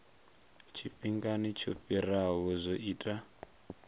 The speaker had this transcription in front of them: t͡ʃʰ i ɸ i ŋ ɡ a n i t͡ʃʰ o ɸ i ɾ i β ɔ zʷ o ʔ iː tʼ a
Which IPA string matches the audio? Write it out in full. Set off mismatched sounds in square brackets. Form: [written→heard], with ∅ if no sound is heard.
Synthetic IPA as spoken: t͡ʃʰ i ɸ i ŋ ɡ a n i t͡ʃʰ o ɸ i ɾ [i→a] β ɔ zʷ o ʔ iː tʼ a